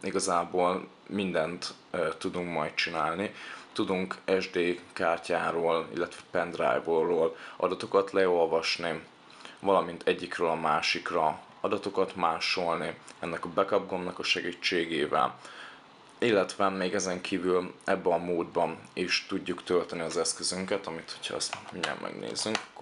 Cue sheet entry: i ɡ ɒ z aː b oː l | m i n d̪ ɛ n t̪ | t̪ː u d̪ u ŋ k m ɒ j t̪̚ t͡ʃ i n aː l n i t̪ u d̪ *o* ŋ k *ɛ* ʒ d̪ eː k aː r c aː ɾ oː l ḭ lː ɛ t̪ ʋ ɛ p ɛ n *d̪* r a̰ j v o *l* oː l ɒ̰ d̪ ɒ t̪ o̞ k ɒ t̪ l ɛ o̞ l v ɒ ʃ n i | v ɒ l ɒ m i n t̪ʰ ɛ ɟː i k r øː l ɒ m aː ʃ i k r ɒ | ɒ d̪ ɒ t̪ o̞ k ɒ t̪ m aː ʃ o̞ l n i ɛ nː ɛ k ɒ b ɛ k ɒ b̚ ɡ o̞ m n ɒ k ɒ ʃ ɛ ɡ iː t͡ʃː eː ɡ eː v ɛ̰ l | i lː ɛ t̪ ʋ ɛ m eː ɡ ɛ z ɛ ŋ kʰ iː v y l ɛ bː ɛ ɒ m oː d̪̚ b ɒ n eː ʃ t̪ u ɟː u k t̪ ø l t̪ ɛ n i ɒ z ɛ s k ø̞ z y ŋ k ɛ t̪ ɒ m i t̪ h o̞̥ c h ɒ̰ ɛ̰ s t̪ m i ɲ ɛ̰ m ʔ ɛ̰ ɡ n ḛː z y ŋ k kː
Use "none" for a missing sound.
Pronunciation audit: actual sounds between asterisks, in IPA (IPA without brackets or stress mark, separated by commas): u, ɛ, d̪, r